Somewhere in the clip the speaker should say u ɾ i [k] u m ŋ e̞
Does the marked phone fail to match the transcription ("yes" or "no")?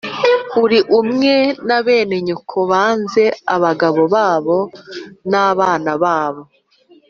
yes